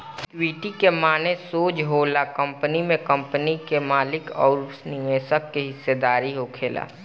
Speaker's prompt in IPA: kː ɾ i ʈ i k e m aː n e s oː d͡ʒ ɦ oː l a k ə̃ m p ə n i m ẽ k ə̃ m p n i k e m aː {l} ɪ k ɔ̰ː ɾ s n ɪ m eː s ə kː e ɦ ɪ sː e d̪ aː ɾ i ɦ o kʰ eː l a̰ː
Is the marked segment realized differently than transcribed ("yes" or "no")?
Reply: no